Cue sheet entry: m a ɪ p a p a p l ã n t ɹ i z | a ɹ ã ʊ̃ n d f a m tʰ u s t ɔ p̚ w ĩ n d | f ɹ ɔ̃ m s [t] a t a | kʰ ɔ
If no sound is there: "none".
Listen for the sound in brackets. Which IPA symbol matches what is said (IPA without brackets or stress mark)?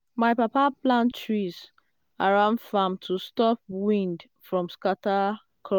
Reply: k